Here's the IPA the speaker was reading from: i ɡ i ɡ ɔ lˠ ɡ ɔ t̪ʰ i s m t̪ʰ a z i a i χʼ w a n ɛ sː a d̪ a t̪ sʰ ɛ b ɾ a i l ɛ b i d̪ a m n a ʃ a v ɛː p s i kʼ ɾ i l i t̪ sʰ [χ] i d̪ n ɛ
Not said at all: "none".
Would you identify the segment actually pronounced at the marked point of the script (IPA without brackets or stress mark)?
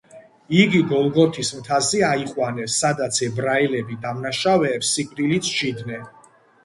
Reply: ʃ